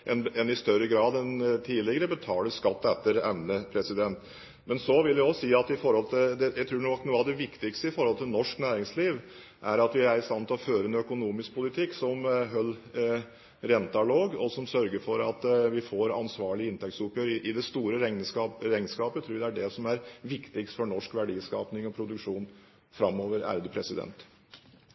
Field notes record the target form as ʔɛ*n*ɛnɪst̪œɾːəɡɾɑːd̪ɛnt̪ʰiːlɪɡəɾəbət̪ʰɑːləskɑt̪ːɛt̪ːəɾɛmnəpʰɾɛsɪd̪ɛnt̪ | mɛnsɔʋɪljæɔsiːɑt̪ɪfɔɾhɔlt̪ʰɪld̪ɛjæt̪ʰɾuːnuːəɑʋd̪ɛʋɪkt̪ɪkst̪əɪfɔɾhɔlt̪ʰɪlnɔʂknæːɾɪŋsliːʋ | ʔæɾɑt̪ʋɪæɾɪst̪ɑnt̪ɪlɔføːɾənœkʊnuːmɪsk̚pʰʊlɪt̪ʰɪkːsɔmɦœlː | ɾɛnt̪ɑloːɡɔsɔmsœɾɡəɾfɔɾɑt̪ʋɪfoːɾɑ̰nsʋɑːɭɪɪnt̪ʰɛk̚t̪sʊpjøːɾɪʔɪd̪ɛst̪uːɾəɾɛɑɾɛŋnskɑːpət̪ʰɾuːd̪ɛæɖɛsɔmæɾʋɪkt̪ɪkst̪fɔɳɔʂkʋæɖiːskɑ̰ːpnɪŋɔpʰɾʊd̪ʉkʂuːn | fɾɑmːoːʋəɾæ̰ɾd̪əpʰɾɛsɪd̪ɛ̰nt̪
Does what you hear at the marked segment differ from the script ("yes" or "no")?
no